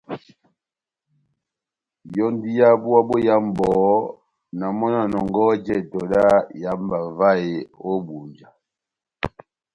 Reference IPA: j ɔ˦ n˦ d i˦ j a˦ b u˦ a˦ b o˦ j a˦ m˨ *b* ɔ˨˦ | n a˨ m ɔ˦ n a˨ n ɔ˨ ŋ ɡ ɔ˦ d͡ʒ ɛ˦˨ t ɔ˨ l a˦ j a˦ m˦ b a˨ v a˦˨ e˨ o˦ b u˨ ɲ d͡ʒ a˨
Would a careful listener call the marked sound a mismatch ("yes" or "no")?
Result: no